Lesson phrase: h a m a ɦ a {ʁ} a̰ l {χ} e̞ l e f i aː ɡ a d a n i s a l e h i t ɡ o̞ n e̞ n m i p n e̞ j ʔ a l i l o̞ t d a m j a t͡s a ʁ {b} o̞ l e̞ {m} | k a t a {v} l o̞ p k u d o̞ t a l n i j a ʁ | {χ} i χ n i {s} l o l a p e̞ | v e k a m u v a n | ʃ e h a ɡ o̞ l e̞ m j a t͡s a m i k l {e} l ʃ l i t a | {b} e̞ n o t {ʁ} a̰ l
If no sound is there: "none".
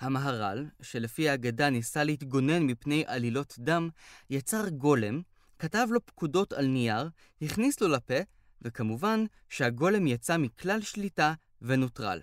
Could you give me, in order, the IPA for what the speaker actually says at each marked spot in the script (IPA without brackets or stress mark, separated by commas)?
ʁ, ʃ, ɡ, m, v, h, s, a, v, ʁ